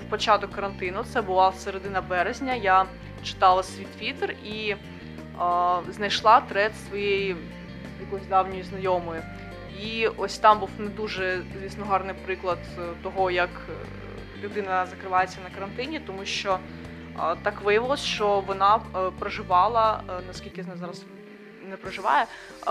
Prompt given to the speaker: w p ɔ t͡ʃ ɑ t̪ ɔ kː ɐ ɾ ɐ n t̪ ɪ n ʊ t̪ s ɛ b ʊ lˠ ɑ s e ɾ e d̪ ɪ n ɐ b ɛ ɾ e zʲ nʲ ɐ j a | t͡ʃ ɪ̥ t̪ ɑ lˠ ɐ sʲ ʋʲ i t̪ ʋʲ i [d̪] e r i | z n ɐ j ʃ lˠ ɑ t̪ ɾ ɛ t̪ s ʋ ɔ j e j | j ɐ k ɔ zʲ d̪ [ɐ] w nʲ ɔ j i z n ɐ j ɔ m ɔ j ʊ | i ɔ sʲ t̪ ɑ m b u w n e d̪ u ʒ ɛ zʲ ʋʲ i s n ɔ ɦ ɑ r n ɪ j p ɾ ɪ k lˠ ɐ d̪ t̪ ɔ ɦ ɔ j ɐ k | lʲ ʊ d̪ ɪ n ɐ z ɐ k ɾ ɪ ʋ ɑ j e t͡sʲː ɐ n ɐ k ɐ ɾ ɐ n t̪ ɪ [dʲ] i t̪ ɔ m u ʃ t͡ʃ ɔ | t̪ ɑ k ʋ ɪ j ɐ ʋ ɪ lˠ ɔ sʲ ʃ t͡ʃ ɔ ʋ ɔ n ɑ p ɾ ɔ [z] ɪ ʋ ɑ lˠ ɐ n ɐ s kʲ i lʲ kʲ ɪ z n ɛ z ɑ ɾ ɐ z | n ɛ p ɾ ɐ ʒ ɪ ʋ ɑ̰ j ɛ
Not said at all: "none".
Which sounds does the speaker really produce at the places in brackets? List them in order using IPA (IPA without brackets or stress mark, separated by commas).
t̪, ɑ, nʲ, ʒ